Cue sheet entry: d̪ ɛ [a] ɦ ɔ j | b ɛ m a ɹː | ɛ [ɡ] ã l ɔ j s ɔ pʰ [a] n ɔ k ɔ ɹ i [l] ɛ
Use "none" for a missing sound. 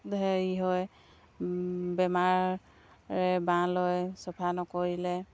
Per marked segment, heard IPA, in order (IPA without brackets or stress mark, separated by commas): i, b, a, l